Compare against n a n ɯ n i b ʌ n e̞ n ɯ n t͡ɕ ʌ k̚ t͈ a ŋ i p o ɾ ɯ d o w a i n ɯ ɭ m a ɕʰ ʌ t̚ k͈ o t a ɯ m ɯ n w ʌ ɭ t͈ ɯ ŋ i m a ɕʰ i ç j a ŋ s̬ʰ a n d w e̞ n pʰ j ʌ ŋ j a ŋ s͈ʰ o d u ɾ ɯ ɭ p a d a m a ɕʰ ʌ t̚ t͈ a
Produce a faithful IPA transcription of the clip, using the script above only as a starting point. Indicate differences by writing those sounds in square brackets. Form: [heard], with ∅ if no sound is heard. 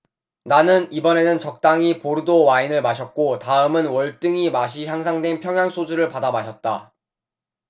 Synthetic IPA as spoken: n a n ɯ n i b ʌ n e̞ n ɯ n t͡ɕ ʌ k̚ t͈ a ŋ i p o ɾ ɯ d o w a i n ɯ ɭ m a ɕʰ ʌ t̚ k͈ o t a ɯ m ɯ n w ʌ ɭ t͈ ɯ ŋ i m a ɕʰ i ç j a ŋ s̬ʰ a [ŋ] d w e̞ n pʰ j ʌ ŋ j a ŋ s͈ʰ o [d͡ʑ] u ɾ ɯ ɭ p a d a m a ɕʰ ʌ t̚ t͈ a

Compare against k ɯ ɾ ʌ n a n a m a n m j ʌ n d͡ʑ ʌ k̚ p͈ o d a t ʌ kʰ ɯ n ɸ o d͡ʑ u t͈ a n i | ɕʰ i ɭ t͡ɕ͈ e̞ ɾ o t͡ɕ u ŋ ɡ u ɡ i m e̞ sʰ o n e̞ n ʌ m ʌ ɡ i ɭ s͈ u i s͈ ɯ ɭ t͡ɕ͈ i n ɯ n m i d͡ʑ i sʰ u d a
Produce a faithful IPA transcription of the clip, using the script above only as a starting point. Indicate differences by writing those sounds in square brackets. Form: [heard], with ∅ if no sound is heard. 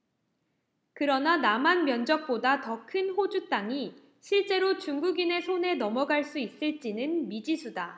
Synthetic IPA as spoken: k ɯ ɾ ʌ n a n a m a n m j ʌ n d͡ʑ ʌ k̚ p͈ o d a t ʌ kʰ ɯ n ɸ o d͡ʑ u t͈ a [ŋ] i | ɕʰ i ɭ t͡ɕ͈ e̞ ɾ o t͡ɕ u ŋ ɡ u ɡ i [n] e̞ sʰ o n e̞ n ʌ m ʌ ɡ [a] ɭ s͈ u i s͈ ɯ ɭ t͡ɕ͈ i n ɯ n m i d͡ʑ i sʰ u d a

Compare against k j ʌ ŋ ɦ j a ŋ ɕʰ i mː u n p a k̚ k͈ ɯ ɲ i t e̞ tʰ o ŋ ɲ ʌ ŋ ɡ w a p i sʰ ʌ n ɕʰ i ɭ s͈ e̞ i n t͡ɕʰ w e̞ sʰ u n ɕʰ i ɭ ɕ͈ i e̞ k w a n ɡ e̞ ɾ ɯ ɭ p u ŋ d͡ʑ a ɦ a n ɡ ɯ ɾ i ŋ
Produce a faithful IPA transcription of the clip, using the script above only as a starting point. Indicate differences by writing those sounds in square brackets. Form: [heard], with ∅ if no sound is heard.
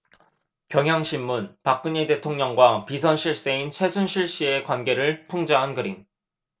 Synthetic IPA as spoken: k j ʌ ŋ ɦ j a ŋ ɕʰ i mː u n p a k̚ k͈ ɯ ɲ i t e̞ tʰ o ŋ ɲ ʌ ŋ ɡ w a p i sʰ ʌ n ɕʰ i ɭ s͈ e̞ i n t͡ɕʰ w e̞ sʰ u n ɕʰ i ɭ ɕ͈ i e̞ k w a n ɡ e̞ ɾ ɯ ɭ [pʰ] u ŋ d͡ʑ a ɦ a n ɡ ɯ ɾ i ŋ

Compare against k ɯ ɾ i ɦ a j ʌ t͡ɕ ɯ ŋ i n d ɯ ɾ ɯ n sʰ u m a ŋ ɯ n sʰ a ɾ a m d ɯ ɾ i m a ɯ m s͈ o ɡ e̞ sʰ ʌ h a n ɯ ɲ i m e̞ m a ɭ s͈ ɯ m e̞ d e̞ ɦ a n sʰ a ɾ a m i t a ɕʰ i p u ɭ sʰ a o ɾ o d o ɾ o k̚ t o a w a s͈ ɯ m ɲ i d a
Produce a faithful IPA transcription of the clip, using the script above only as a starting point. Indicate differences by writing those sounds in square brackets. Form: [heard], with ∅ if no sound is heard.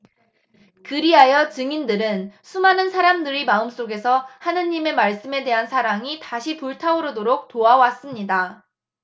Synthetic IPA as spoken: k ɯ ɾ i ɦ a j ʌ t͡ɕ ɯ ŋ i n d ɯ ɾ ɯ n sʰ u m a [n] ɯ n sʰ a ɾ a m d ɯ ɾ i m a ɯ m s͈ o ɡ e̞ sʰ ʌ h a n ɯ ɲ i m e̞ m a ɭ s͈ ɯ m e̞ d e̞ ɦ a n sʰ a ɾ a [ŋ] i t a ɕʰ i p u ɭ [tʰ] a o ɾ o d o ɾ o k̚ t o a w a s͈ ɯ m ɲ i d a

